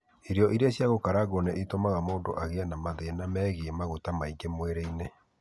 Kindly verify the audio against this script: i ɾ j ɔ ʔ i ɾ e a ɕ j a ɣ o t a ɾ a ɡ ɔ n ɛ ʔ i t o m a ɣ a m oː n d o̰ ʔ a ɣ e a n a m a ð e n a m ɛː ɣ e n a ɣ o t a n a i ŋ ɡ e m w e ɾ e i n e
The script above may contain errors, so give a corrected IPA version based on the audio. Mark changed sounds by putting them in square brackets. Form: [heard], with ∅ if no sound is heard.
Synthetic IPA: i ɾ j ɔ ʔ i ɾ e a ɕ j a ɣ o [k] a ɾ a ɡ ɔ n ɛ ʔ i t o m a ɣ a m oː n d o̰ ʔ a ɣ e a n a m a ð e n a m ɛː ɣ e [m] a ɣ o t a [m] a i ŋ ɡ e m w e ɾ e i n e

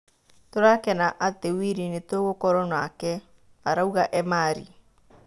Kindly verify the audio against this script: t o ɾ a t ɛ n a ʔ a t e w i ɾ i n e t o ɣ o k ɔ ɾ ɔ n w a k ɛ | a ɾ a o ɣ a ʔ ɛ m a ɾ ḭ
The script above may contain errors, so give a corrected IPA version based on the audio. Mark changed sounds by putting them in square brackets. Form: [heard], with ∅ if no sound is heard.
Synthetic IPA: t o ɾ a [k] ɛ n a ʔ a t e w i ɾ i n e t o ɣ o k ɔ ɾ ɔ n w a k ɛ | a ɾ a [u] ɣ a ʔ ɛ m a ɾ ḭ

